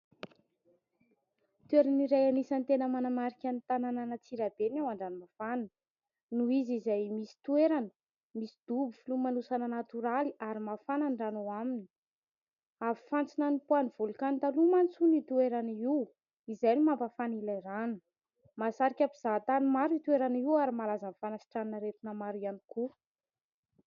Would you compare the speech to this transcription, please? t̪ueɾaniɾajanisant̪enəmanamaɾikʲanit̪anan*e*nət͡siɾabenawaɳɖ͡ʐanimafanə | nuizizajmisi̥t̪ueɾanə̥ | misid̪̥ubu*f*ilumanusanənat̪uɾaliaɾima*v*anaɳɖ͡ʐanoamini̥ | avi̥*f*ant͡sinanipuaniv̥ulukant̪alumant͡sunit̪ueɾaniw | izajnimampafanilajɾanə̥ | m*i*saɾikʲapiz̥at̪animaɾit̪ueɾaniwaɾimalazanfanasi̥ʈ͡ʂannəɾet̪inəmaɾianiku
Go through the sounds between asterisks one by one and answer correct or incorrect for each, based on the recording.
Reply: incorrect: a, correct, incorrect: f, correct, incorrect: a

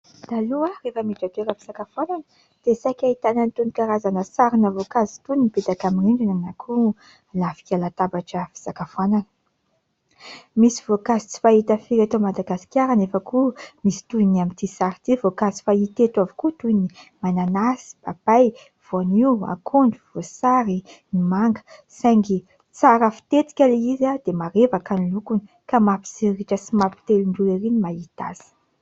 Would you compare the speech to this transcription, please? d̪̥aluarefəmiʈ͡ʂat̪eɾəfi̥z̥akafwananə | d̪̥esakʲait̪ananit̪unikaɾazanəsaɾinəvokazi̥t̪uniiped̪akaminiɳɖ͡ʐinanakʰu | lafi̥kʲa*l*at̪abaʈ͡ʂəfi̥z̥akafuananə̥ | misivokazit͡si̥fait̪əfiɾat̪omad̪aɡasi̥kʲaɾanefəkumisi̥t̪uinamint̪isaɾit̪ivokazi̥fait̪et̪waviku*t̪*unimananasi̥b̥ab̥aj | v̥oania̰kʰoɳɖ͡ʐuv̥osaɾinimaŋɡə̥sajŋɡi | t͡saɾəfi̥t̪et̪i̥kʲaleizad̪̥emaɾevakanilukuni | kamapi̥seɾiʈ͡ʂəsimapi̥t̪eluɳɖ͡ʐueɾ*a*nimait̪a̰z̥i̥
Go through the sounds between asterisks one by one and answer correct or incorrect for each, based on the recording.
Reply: correct, correct, incorrect: i

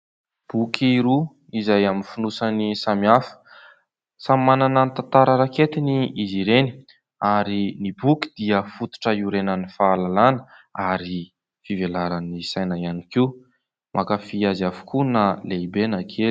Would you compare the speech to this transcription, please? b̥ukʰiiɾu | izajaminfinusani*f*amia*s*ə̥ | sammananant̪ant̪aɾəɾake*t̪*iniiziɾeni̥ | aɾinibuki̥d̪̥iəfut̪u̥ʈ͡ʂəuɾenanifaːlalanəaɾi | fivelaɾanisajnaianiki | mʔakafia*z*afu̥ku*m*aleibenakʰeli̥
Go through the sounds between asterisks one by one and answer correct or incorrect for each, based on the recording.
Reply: incorrect: s, incorrect: f, correct, correct, incorrect: n

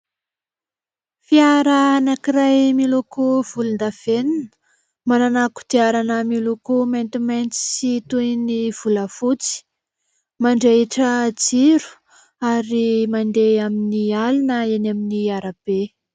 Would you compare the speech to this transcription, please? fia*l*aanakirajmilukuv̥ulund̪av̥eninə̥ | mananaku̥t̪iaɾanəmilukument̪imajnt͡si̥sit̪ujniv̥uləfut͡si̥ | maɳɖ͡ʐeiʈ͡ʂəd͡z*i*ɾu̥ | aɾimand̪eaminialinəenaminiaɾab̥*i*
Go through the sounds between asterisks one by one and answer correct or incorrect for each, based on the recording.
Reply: incorrect: ɾ, correct, incorrect: e

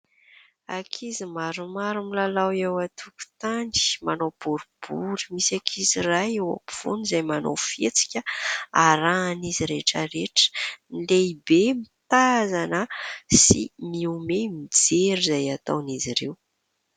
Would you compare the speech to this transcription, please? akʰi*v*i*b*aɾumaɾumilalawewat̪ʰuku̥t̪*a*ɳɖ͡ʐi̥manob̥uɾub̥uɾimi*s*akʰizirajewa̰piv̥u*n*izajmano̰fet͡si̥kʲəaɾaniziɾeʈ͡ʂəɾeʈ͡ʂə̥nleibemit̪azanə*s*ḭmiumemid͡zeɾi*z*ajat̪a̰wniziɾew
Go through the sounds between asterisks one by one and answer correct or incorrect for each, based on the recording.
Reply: incorrect: z, incorrect: m, correct, correct, correct, correct, correct

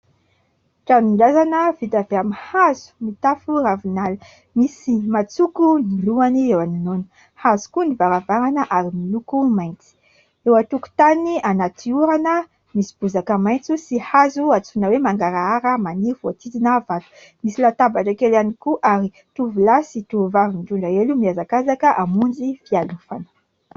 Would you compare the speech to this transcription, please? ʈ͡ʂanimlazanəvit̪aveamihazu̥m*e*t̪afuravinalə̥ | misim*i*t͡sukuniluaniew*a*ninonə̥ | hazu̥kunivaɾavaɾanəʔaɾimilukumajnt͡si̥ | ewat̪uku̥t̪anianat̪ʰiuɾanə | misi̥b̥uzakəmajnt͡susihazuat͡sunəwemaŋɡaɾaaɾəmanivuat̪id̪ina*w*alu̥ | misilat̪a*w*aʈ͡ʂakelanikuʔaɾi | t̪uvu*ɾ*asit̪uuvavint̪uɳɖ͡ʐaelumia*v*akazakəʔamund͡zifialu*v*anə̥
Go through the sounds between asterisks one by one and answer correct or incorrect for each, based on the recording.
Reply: incorrect: i, incorrect: a, correct, incorrect: v, incorrect: b, incorrect: l, incorrect: z, incorrect: f

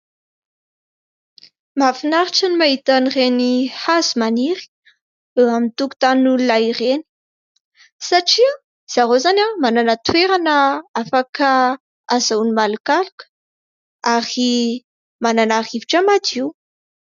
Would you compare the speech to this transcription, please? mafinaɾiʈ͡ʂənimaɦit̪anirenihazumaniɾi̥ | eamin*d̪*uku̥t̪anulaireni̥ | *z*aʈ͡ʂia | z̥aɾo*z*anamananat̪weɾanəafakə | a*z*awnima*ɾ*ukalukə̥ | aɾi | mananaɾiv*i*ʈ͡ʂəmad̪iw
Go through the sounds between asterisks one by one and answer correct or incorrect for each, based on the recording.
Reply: incorrect: t̪, incorrect: s, correct, correct, incorrect: l, correct

